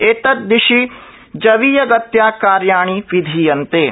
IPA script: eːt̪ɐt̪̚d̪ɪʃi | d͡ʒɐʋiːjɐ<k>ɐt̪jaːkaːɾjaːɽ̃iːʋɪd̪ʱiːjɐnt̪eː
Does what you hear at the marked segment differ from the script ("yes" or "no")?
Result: yes